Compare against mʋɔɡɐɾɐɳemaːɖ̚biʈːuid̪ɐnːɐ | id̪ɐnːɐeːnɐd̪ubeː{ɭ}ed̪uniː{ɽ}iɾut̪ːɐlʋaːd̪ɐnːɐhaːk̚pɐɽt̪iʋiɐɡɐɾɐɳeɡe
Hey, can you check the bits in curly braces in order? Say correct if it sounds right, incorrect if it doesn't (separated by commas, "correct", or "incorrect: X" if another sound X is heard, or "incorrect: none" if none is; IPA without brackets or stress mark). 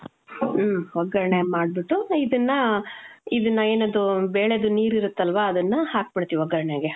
correct, incorrect: ɾ